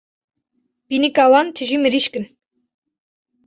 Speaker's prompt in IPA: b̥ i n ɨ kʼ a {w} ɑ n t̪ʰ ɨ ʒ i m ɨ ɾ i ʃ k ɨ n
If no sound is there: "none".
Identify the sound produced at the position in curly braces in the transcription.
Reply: w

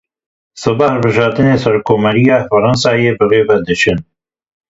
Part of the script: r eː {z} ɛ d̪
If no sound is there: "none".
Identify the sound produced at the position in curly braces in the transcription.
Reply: v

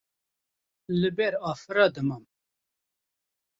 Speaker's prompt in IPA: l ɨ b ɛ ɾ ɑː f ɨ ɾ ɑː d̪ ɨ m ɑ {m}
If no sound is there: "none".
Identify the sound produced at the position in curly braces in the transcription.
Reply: m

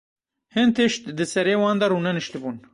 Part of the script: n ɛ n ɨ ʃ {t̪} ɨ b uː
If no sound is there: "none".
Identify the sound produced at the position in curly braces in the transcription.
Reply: t̪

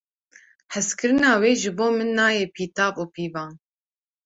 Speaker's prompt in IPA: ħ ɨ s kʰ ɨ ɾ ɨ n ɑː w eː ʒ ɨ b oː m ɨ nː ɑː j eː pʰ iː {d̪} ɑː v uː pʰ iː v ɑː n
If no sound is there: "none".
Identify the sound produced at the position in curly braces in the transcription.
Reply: t̪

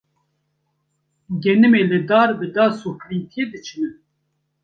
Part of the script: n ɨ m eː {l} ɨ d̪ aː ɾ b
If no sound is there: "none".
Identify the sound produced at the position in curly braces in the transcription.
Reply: l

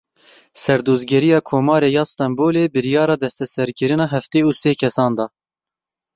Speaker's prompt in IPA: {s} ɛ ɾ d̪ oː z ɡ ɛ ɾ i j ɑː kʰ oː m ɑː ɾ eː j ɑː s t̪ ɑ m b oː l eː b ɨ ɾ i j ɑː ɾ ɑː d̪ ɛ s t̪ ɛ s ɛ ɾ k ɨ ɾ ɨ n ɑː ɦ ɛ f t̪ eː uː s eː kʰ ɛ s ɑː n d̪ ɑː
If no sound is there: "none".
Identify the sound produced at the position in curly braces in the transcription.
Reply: s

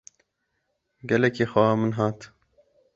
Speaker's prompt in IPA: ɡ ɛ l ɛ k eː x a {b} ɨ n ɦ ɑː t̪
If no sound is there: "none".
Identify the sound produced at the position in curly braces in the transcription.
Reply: m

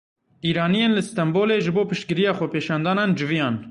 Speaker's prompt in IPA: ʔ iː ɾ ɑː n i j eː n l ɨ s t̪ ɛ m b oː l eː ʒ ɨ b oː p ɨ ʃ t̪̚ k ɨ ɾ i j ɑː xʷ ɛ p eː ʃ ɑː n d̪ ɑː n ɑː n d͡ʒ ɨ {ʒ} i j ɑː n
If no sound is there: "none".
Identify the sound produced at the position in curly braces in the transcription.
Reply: v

